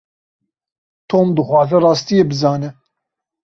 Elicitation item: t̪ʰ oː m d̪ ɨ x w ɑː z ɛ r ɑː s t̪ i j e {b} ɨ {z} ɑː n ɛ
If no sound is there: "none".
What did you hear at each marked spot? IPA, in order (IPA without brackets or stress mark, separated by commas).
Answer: b, z